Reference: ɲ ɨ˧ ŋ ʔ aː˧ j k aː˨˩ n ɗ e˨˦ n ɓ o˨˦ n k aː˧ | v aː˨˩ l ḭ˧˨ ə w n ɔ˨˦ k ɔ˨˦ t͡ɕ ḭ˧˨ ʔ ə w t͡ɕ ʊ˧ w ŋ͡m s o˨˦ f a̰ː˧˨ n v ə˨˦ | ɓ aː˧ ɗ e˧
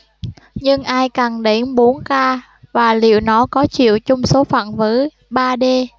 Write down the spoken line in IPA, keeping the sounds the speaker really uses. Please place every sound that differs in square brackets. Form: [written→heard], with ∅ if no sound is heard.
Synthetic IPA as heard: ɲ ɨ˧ ŋ ʔ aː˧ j k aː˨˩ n ɗ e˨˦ n ɓ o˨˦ n k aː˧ | v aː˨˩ l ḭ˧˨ ə w n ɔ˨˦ k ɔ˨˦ t͡ɕ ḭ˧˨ [ʔ→∅] ə w t͡ɕ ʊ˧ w ŋ͡m s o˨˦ f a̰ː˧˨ n v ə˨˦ | ɓ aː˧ ɗ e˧